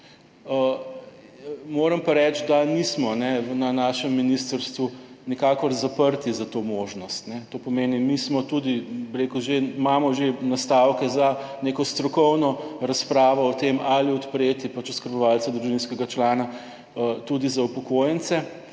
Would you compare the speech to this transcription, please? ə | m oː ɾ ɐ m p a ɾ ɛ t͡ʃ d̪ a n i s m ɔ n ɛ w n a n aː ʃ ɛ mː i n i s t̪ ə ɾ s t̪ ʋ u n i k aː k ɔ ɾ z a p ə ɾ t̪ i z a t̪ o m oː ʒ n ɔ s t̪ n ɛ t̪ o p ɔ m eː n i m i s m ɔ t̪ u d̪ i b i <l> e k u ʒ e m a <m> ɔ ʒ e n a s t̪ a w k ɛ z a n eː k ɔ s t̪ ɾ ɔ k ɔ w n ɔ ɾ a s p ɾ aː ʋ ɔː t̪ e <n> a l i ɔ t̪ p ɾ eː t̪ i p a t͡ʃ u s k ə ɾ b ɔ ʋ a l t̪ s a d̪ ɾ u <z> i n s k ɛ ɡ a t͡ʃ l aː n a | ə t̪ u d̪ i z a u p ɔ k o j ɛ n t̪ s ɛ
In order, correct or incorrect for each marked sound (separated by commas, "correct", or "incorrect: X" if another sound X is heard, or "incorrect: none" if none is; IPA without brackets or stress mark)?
incorrect: ɾ, correct, incorrect: m, incorrect: ʒ